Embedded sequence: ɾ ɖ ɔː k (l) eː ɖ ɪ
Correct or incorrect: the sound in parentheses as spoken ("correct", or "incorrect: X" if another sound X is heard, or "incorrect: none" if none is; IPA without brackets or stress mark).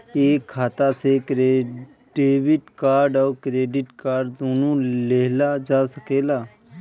incorrect: ɾ